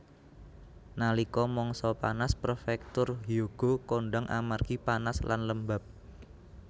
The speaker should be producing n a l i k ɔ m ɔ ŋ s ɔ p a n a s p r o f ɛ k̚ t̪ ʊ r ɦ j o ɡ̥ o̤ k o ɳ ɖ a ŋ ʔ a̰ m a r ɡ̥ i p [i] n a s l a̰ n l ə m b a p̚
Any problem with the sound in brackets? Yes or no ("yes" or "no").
yes